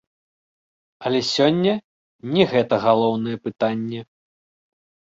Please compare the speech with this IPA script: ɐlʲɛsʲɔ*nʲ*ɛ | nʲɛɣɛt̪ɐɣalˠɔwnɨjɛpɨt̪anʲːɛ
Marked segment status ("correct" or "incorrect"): incorrect